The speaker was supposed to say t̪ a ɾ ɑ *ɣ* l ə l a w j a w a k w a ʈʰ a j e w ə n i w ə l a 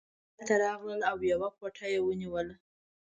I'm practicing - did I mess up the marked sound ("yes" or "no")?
no